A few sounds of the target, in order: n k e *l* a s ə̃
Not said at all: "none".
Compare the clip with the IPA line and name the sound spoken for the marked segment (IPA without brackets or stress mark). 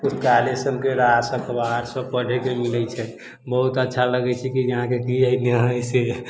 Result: ɾ